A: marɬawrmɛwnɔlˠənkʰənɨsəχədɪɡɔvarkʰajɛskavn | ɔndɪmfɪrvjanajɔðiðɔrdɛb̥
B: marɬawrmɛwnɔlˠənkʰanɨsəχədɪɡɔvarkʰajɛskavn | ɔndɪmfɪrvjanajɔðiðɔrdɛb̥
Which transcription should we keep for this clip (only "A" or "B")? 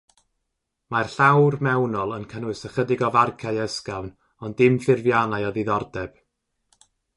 A